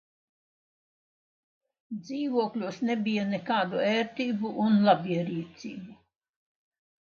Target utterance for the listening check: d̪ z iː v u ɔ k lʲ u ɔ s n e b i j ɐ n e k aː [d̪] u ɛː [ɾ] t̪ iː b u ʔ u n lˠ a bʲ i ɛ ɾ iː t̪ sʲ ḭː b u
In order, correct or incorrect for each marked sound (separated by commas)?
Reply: correct, correct